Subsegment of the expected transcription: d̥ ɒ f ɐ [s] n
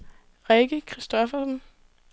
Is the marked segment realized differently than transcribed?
no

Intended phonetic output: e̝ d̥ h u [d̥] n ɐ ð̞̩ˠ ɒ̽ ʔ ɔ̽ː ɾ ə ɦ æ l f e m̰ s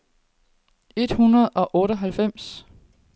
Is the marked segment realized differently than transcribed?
yes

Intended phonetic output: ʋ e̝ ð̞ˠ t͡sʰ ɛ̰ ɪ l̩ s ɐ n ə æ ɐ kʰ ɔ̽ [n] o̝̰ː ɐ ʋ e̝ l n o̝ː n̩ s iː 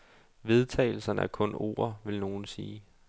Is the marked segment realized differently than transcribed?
no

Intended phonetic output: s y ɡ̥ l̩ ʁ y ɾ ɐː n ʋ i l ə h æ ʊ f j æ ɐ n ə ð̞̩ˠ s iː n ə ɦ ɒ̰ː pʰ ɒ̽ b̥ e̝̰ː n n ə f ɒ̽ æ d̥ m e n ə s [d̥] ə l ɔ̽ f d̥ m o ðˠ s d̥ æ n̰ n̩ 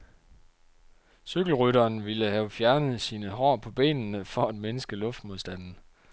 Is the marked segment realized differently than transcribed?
yes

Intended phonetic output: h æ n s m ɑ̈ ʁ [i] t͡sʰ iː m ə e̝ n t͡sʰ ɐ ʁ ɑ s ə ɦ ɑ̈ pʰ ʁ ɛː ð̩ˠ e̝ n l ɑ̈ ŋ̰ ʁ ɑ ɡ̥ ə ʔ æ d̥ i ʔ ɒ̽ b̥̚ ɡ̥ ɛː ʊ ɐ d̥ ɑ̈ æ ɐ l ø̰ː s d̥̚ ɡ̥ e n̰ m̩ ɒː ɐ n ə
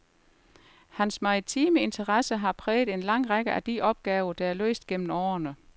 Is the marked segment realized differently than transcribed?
no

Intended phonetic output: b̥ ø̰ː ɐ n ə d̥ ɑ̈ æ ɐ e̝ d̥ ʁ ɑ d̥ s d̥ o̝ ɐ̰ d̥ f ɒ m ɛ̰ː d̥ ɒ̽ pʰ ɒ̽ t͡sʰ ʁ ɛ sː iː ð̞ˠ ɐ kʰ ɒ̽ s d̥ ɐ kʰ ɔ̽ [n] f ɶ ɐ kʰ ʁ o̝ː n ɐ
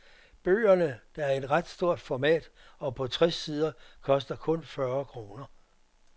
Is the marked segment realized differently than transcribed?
no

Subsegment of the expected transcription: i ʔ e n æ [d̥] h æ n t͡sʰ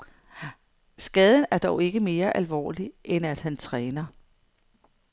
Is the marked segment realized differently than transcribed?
no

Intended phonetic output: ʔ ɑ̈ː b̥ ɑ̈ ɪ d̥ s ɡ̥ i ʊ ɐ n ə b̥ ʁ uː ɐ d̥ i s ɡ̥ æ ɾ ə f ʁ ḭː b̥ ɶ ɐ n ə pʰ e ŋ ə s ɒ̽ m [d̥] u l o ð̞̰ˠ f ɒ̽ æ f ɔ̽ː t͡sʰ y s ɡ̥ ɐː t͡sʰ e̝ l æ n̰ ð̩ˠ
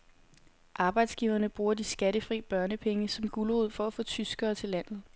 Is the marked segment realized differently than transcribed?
yes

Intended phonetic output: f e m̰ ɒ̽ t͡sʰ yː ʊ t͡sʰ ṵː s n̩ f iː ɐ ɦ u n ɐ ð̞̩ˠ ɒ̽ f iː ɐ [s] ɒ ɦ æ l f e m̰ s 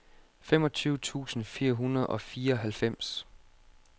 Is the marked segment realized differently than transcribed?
yes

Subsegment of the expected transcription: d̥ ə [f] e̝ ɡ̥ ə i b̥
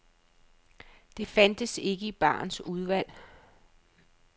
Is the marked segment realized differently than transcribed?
yes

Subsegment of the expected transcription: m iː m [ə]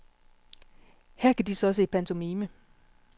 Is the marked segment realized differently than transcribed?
no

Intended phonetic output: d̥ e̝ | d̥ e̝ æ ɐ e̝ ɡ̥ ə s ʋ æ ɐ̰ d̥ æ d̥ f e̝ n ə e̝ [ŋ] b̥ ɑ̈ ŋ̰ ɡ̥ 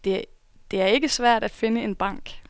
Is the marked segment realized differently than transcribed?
yes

